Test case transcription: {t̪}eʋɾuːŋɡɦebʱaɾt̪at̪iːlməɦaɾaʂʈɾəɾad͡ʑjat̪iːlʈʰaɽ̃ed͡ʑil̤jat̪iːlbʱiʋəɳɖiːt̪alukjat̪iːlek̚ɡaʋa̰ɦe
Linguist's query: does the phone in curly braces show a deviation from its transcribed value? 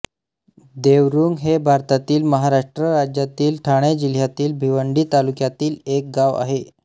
yes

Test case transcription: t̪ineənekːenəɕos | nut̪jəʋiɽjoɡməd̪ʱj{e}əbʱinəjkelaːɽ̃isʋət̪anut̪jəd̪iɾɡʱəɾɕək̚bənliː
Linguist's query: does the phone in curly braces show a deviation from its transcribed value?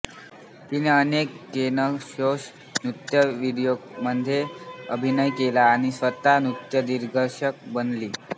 no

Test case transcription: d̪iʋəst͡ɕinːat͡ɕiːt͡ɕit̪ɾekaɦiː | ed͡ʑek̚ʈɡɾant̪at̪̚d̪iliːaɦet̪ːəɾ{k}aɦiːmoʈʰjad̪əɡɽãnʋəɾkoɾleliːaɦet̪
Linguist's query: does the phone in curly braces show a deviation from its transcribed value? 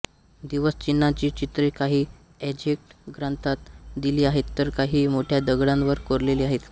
no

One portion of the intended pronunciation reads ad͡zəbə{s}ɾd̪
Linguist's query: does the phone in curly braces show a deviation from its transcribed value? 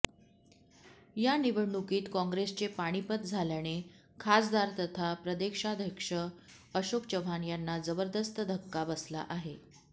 yes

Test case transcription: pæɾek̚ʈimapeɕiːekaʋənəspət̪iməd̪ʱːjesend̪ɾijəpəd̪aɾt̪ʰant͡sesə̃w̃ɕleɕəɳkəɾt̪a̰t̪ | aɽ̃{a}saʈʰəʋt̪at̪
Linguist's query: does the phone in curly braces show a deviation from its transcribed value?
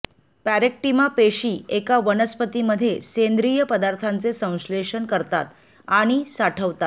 yes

